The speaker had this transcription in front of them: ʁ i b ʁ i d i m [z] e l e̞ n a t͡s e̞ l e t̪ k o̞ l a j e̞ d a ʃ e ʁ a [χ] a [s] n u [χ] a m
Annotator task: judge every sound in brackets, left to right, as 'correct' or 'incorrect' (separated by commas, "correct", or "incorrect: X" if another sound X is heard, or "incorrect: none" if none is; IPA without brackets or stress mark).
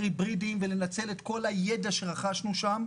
incorrect: v, correct, incorrect: ʃ, incorrect: ʃ